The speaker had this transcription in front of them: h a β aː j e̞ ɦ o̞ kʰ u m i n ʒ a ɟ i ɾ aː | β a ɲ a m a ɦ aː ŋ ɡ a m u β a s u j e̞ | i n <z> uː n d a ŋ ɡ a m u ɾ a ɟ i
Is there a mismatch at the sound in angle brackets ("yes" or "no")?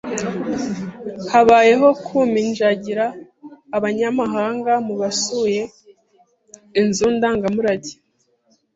no